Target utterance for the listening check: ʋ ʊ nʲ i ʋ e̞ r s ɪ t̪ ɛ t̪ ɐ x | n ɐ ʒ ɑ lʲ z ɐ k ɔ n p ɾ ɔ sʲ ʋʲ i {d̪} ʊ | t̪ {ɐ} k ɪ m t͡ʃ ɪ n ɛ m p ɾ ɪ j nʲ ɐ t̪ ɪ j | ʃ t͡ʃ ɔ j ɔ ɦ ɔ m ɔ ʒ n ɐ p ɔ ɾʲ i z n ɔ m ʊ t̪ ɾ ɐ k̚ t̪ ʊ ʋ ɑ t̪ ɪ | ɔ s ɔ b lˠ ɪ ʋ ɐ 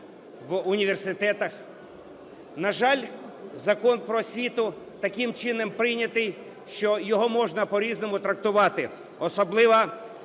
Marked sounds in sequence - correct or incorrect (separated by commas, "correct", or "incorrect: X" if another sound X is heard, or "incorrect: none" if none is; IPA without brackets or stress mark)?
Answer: incorrect: t̪, correct